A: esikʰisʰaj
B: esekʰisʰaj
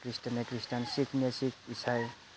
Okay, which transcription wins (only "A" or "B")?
A